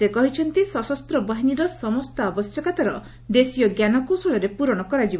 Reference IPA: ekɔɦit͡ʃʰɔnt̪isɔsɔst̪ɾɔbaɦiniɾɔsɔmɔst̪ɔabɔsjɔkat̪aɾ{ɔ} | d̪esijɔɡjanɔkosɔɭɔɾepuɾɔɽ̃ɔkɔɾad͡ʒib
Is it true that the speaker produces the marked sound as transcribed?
yes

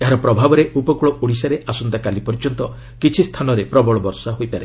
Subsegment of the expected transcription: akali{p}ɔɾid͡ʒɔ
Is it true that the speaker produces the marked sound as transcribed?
yes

